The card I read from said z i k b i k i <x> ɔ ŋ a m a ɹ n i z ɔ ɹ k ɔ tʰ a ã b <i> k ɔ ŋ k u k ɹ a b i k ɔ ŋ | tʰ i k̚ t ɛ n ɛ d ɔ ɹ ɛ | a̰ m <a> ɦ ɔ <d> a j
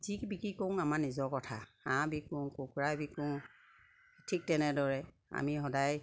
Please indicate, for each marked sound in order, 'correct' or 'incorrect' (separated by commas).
incorrect, correct, incorrect, correct